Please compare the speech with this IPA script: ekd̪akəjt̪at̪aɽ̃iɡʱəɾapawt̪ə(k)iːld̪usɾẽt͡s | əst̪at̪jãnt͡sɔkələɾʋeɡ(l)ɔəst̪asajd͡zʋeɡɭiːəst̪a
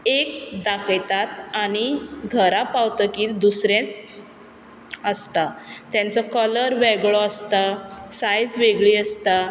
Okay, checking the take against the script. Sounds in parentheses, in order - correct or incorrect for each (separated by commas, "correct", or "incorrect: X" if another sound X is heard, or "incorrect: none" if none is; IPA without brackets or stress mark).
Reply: correct, incorrect: ɭ